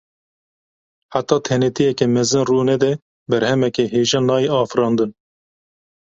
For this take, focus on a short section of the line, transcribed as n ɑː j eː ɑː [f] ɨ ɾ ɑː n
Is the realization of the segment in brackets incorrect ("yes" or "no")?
no